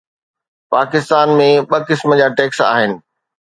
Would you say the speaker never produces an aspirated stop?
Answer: yes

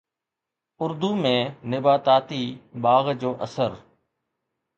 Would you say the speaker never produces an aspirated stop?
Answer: yes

